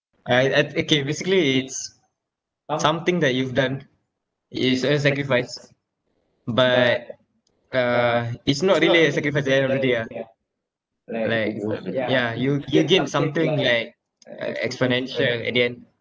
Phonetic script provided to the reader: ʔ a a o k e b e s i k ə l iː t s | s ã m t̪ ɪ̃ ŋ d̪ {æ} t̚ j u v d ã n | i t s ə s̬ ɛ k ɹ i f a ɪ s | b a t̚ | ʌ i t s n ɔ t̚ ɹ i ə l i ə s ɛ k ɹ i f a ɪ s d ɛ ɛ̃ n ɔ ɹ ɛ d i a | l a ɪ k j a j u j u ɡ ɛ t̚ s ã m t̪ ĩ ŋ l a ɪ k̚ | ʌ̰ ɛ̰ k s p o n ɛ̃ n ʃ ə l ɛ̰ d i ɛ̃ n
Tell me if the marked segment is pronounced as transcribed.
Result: no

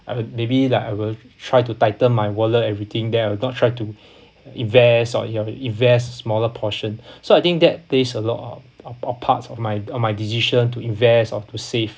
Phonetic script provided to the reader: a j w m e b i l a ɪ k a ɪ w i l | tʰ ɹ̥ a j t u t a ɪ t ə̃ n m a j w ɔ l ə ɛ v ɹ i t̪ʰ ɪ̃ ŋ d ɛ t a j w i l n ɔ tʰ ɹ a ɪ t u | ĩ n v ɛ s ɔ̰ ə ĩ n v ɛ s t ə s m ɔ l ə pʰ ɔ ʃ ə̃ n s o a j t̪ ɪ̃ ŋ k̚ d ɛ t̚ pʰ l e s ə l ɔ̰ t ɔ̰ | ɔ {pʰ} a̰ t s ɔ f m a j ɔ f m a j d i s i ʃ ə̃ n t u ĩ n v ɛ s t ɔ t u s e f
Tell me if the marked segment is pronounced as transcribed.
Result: yes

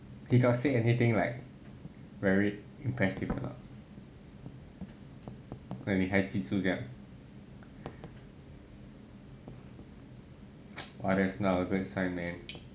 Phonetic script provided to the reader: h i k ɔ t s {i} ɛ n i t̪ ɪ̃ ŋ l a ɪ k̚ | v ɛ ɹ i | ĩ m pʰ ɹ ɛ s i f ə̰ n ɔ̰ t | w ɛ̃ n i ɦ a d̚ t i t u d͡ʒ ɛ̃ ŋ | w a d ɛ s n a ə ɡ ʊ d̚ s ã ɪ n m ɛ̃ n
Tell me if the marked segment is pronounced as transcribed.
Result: no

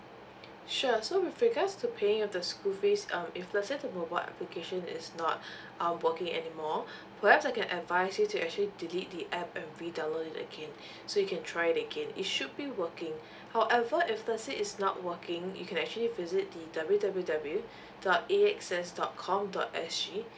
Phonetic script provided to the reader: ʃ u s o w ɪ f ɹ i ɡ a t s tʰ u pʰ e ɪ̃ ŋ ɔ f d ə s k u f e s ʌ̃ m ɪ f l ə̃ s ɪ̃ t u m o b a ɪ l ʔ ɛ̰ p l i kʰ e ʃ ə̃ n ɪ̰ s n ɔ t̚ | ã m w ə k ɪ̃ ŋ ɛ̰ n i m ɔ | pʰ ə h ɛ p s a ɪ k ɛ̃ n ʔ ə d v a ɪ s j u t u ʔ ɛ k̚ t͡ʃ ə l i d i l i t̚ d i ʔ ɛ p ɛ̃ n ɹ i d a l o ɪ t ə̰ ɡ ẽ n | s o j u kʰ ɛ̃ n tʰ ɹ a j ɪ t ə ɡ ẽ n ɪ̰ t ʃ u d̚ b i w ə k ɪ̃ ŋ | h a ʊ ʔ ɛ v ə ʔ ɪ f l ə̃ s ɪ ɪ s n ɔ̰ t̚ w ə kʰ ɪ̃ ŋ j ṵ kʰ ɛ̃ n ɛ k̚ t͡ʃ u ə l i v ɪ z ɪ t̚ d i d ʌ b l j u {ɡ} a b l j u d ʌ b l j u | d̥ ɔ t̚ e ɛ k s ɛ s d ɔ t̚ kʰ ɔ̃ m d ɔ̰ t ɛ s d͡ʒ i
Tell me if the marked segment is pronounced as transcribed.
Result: no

